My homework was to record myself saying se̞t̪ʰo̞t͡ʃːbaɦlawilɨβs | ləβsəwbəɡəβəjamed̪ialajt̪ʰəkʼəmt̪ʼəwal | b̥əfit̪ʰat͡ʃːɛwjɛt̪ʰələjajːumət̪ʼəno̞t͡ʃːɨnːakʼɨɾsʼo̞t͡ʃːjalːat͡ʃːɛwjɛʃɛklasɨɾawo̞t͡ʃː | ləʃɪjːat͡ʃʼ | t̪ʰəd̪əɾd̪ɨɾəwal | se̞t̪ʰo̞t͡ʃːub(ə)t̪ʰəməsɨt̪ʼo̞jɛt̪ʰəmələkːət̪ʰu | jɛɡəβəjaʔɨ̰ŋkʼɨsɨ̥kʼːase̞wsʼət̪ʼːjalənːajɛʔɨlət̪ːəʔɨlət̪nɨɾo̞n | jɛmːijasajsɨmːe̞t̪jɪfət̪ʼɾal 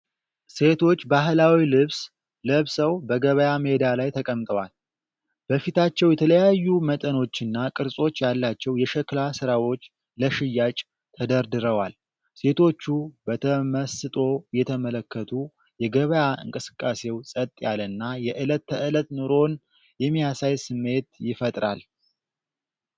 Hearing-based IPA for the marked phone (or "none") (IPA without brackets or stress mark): ə